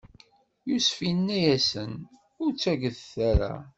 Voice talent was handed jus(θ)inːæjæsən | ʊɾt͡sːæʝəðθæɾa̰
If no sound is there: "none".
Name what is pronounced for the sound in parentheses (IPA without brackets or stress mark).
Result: f